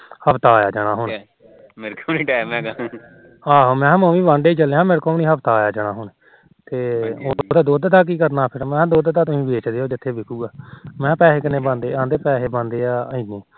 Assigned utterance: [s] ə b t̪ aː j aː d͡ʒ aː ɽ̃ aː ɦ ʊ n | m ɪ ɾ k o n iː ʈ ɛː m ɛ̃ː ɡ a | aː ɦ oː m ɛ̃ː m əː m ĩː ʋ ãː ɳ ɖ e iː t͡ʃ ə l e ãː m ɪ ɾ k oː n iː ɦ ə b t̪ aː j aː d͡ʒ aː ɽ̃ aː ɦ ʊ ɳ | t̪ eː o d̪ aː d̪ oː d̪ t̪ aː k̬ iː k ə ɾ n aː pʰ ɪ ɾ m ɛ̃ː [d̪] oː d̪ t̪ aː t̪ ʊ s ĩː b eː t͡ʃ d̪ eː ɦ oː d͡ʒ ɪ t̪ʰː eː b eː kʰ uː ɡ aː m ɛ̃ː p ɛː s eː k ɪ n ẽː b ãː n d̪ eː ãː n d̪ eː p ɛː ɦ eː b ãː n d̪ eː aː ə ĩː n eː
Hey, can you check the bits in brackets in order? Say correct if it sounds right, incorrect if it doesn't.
incorrect: h, correct

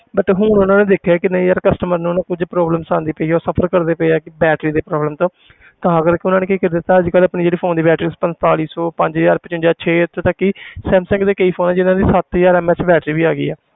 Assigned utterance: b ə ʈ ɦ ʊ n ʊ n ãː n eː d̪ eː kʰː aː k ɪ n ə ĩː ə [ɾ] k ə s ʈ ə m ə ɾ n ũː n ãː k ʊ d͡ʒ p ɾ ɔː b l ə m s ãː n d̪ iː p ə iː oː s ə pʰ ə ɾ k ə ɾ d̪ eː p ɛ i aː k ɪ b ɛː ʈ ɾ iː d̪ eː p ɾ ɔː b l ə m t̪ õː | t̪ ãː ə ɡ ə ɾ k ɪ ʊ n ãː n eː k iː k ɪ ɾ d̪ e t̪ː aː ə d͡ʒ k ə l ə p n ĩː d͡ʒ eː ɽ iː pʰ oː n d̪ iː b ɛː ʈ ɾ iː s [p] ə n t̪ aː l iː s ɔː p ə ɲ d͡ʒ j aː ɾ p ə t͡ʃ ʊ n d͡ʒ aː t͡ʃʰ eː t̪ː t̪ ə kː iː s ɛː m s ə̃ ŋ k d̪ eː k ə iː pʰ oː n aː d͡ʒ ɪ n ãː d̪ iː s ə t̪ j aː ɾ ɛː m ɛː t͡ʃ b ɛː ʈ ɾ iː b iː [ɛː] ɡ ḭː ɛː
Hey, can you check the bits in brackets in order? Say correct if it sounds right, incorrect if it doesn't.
correct, correct, incorrect: aː

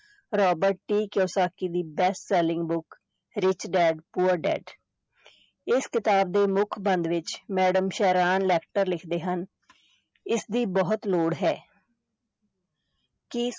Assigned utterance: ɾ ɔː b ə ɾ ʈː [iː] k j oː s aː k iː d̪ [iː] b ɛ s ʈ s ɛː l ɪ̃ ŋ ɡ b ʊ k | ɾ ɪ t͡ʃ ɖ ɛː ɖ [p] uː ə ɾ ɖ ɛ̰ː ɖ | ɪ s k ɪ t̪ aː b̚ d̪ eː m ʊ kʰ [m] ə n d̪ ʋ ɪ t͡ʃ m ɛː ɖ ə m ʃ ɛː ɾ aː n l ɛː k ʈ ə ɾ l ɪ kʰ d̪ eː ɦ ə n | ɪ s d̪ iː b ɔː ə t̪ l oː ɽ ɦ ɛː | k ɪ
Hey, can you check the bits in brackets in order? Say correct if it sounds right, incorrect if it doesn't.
correct, correct, correct, incorrect: b

